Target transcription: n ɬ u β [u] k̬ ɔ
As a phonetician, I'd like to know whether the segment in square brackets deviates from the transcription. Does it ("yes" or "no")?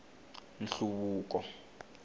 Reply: yes